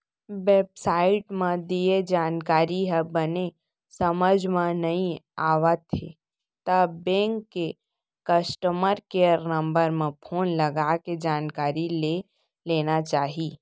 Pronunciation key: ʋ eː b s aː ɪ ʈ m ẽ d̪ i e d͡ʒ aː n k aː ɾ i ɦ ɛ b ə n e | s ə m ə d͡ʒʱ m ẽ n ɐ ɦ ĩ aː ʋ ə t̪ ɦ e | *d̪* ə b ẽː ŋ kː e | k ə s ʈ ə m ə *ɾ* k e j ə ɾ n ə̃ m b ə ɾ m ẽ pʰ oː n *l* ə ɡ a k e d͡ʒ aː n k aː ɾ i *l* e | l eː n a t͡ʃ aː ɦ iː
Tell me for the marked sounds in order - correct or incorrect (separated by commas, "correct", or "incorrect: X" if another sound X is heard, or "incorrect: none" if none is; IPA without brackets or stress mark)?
incorrect: t̪, correct, correct, correct